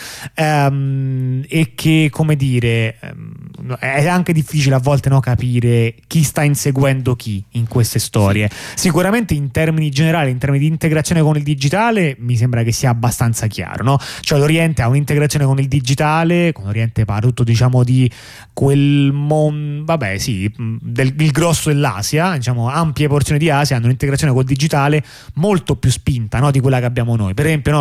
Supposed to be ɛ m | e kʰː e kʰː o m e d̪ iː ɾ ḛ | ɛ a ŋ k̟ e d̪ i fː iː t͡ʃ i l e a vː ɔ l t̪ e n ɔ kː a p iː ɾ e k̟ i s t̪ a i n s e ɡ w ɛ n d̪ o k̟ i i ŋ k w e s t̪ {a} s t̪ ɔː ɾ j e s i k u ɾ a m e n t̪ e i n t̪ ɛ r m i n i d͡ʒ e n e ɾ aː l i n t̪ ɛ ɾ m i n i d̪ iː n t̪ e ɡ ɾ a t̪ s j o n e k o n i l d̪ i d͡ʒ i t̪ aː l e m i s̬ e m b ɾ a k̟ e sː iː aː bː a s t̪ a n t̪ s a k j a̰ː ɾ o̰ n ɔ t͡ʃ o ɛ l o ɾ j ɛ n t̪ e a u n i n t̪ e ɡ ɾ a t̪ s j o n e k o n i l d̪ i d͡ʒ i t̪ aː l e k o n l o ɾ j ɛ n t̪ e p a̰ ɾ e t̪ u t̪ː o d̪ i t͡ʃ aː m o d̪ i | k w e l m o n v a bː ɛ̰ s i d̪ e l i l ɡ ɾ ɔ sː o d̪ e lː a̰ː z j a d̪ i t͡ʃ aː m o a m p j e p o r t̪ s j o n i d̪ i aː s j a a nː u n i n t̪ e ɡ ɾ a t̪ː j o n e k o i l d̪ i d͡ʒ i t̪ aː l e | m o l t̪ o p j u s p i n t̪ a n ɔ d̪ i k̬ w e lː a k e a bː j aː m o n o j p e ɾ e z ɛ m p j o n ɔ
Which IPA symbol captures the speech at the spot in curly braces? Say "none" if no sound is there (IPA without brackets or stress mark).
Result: e